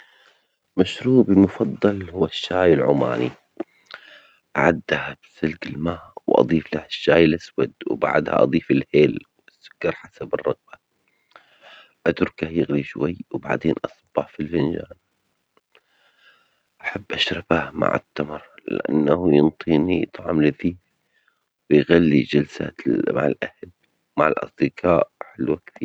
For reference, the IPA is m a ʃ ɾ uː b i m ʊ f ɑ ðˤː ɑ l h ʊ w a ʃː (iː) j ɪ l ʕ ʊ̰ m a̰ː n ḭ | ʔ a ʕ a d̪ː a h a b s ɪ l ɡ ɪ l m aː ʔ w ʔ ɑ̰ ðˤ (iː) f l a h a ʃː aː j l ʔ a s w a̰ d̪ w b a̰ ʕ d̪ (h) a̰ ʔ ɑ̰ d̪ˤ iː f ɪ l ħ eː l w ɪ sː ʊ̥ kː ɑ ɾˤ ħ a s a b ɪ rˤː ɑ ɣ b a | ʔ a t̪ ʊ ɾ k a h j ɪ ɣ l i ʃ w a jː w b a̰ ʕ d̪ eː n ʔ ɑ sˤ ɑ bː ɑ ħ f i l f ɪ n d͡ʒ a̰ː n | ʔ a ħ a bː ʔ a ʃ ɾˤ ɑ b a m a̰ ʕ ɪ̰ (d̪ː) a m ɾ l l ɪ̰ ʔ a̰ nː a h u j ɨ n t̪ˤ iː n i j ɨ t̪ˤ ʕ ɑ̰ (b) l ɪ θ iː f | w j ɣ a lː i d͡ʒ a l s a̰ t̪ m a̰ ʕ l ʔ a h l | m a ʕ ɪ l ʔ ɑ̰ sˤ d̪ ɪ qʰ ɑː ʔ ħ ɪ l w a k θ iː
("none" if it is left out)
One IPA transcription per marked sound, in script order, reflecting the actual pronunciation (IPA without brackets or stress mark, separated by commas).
aː, iː, h, t̪ː, m